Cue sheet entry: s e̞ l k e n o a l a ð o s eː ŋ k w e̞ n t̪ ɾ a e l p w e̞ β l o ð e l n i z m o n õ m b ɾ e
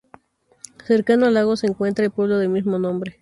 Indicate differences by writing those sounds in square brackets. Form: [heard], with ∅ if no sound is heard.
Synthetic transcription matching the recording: s e̞ [ɾ] k [a] n o a l a [ɣ] o s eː ŋ k w e̞ n t̪ ɾ a e l p w e̞ β l o ð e l [m] i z m o n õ m b ɾ e